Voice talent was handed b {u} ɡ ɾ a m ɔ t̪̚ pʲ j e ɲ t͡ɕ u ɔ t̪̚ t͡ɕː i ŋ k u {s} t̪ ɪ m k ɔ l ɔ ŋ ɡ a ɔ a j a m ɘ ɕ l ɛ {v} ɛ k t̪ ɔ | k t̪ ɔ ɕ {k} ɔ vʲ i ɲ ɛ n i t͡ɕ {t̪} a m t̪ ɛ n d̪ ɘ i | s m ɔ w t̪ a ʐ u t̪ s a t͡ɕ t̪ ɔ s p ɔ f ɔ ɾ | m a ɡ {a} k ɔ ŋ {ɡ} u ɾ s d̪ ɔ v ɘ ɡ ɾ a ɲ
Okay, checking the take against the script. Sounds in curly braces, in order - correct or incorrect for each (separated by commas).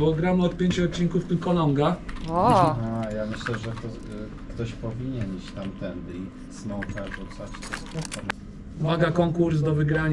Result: incorrect, incorrect, incorrect, incorrect, correct, correct, incorrect